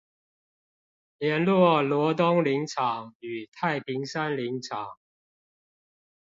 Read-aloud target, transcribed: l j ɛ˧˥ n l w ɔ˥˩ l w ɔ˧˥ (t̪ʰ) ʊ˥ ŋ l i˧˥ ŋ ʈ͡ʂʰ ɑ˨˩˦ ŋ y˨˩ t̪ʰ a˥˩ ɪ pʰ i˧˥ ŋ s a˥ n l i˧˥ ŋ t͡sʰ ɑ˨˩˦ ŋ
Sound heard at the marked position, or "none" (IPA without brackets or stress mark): t̪